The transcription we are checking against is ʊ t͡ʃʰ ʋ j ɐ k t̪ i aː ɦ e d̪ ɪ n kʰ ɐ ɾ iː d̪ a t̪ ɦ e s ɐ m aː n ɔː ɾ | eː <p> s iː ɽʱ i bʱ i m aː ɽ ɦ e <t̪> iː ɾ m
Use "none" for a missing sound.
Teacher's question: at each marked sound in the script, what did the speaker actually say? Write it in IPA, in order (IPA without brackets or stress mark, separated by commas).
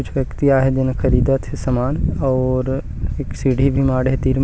k, t̪